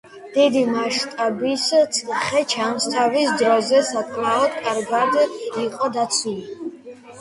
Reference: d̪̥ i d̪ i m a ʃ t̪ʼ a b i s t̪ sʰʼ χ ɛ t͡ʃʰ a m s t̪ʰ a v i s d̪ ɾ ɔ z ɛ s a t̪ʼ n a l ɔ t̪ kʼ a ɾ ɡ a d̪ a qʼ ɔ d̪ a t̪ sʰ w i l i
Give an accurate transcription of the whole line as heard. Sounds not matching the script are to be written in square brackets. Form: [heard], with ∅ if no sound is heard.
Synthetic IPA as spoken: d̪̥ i d̪ i m a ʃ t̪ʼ a b i s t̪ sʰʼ χ ɛ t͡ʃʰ a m s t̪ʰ a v i s d̪ ɾ ɔ z ɛ s a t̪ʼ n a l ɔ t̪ kʼ a ɾ ɡ a d̪ [i] qʼ ɔ d̪ a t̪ sʰ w i l i

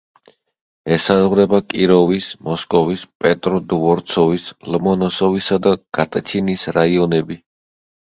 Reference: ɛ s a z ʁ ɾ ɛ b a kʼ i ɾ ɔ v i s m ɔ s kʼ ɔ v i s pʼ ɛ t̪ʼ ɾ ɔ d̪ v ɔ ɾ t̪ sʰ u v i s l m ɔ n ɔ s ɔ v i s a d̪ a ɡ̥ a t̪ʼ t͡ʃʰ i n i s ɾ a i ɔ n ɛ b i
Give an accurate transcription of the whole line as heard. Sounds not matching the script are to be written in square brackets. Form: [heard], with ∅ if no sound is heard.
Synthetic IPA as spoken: ɛ s a z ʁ ɾ ɛ b a kʼ i ɾ ɔ v i s m ɔ s kʼ ɔ v i s pʼ ɛ t̪ʼ ɾ ɔ d̪ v ɔ ɾ t̪ sʰ [ɔ] v i s l m ɔ n ɔ s ɔ v i s a d̪ a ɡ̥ a t̪ʼ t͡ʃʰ i n i s ɾ a i ɔ n ɛ b i

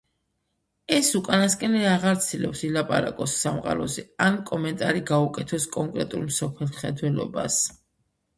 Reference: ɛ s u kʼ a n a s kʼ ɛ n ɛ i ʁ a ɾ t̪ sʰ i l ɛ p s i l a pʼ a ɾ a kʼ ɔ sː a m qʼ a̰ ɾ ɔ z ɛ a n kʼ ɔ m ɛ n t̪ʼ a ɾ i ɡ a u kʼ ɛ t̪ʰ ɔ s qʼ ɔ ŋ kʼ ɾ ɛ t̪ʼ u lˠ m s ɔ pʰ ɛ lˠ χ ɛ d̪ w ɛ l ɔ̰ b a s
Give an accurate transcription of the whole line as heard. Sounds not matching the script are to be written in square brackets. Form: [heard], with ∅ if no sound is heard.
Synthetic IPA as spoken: ɛ s u kʼ a n a s kʼ ɛ n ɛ [a] ʁ a ɾ t̪ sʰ i l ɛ p s i l a pʼ a ɾ a kʼ ɔ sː a m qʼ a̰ ɾ ɔ z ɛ a n kʼ ɔ m ɛ n t̪ʼ a ɾ i ɡ a u kʼ ɛ t̪ʰ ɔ s [kʼ] ɔ ŋ kʼ ɾ ɛ t̪ʼ u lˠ m s ɔ pʰ ɛ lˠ χ ɛ d̪ w ɛ l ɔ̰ b a s

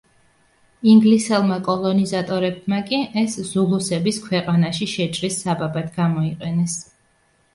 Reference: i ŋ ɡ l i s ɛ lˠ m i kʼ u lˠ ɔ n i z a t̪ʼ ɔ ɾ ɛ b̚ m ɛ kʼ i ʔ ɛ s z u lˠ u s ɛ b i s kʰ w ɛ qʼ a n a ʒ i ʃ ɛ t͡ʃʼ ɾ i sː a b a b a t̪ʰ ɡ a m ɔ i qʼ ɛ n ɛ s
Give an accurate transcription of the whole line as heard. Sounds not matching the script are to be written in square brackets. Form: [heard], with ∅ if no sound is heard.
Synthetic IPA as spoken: i ŋ ɡ l i s ɛ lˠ m [a] kʼ [ɔ] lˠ ɔ n i z a t̪ʼ ɔ ɾ ɛ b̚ m [a] kʼ i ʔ ɛ s z u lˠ u s ɛ b i s kʰ w ɛ qʼ a n a [ʃ] i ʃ ɛ t͡ʃʼ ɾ i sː a b a b a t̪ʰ ɡ a m ɔ i qʼ ɛ n ɛ s

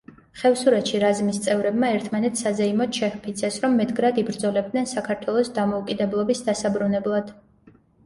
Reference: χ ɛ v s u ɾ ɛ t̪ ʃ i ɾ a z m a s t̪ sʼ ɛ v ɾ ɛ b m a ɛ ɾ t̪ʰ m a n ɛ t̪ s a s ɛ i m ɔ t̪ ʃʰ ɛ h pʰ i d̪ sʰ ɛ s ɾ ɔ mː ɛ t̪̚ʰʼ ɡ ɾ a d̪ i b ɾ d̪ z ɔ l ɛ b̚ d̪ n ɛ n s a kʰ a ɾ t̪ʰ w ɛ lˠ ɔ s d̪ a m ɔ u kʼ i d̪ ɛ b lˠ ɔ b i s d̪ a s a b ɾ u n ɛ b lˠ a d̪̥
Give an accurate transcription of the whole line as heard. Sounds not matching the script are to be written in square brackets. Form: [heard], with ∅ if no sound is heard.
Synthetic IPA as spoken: χ ɛ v s u ɾ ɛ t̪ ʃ i ɾ a z m [i] s t̪ sʼ ɛ v ɾ ɛ b m a ɛ ɾ t̪ʰ m a n ɛ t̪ s a [z] ɛ i m ɔ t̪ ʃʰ ɛ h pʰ i [t̪] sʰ ɛ s ɾ ɔ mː ɛ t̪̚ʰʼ ɡ ɾ a d̪ i b ɾ d̪ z ɔ l ɛ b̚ d̪ n ɛ n s a kʰ a ɾ t̪ʰ w ɛ lˠ ɔ s d̪ a m ɔ u kʼ i d̪ ɛ b lˠ ɔ b i s d̪ a s a b ɾ u n ɛ b lˠ a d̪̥

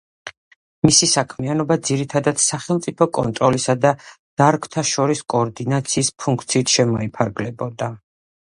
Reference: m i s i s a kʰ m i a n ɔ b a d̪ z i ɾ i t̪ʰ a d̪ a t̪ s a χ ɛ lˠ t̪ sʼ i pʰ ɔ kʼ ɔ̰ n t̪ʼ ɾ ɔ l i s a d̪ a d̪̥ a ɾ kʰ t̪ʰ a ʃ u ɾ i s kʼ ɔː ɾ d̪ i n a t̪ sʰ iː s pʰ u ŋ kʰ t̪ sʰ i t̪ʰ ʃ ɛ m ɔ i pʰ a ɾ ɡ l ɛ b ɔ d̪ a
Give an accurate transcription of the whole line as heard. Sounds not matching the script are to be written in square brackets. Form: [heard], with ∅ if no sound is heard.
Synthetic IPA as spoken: m i s i s a kʰ m i a n ɔ b a d̪ z i ɾ i t̪ʰ a d̪ a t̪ s a χ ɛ lˠ t̪ sʼ i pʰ ɔ kʼ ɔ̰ n t̪ʼ ɾ ɔ l i s a d̪ a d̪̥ a ɾ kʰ t̪ʰ a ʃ [ɔ] ɾ i s kʼ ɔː ɾ d̪ i n a t̪ sʰ iː s pʰ u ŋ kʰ t̪ sʰ [iː] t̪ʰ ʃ ɛ m ɔ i pʰ a ɾ ɡ l ɛ b ɔ d̪ a

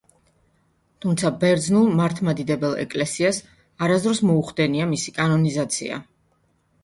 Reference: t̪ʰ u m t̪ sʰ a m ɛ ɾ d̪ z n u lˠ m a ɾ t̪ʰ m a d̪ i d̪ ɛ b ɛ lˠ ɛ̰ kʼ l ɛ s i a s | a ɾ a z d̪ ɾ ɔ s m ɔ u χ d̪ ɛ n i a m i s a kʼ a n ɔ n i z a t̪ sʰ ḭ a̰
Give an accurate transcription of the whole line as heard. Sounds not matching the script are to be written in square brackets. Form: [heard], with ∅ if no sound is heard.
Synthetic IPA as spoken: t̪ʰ u m t̪ sʰ a [b] ɛ ɾ d̪ z n u lˠ m a ɾ t̪ʰ m a d̪ i d̪ ɛ b ɛ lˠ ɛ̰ kʼ l ɛ s i a s | a ɾ a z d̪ ɾ ɔ s m ɔ u χ d̪ ɛ n i a m i s [i] kʼ a n ɔ n i z a t̪ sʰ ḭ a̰

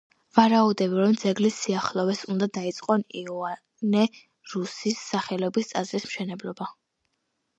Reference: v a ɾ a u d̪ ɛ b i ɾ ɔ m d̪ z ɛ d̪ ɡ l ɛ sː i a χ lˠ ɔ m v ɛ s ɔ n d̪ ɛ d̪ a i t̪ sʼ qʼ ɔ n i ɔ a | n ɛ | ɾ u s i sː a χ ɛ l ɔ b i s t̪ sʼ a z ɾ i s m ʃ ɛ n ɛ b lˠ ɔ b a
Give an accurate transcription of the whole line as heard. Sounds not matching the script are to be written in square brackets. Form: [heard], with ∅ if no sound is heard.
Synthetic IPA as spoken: v a ɾ a u d̪ ɛ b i ɾ ɔ m d̪ z ɛ [∅] ɡ l [i] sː i a χ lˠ ɔ [∅] v ɛ s [u] n d̪ [a] d̪ a i t̪ sʼ qʼ ɔ n i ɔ a | n ɛ | ɾ u s i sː a χ ɛ l ɔ b i s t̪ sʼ a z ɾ i s m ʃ ɛ n ɛ b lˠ ɔ b a

